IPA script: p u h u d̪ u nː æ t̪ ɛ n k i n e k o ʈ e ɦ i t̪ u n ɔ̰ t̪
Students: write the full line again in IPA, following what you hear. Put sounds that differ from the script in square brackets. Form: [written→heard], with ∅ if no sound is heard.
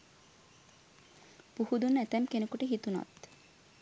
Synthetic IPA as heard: p u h u d̪ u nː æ t̪ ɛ [n→m] k [i→e] n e k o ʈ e ɦ i t̪ u n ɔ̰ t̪